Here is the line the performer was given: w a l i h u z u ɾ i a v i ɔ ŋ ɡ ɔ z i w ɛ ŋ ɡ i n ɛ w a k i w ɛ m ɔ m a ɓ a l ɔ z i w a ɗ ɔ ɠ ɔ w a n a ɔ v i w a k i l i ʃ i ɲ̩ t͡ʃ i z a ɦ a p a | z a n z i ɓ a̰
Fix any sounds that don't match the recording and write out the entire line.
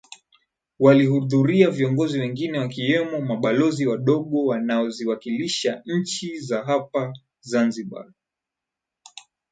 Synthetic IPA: w a l i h u ð u ɾ i a v i ɔ ŋ ɡ ɔ z i w ɛ ŋ ɡ i n ɛ w a k i w ɛ m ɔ m a ɓ a l ɔ z i w a ɗ ɔ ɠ ɔ w a n a ɔ z i w a k i l i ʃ a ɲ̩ t͡ʃ i z a ɦ a p a | z a n z i ɓ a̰